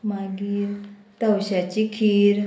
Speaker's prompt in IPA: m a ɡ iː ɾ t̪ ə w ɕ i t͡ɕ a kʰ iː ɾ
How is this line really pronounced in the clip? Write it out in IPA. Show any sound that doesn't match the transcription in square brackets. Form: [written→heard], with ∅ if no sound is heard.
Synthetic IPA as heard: m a ɡ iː ɾ t̪ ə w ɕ [i→a] t͡ɕ [a→i] kʰ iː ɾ